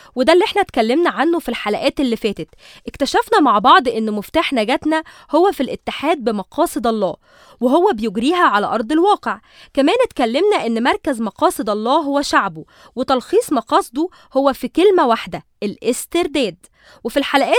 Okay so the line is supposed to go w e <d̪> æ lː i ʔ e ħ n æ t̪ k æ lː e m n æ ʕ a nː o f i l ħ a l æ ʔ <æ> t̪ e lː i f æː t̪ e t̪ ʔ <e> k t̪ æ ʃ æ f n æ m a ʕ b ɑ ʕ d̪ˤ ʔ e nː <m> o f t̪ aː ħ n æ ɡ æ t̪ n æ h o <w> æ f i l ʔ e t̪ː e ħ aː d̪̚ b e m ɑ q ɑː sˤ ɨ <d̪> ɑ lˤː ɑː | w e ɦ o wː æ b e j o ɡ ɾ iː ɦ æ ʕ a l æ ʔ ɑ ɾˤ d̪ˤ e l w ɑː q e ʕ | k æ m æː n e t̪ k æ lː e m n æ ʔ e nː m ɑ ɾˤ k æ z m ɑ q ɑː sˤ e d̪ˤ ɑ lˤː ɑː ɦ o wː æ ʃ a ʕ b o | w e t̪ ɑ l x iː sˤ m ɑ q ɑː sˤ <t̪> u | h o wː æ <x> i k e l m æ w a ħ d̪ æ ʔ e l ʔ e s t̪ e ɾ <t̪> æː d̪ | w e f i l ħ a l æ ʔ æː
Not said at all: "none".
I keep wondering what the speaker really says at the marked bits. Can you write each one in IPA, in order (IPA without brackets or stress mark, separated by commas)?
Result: d̪, æː, e, m, wː, d̪, d̪, f, d̪